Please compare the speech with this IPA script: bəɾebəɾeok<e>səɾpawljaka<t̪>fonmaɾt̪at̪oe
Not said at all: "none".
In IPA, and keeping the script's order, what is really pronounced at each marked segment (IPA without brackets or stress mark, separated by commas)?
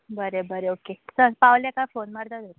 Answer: e, none